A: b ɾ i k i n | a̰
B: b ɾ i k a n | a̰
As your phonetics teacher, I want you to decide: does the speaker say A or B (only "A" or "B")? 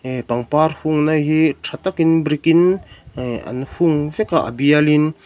A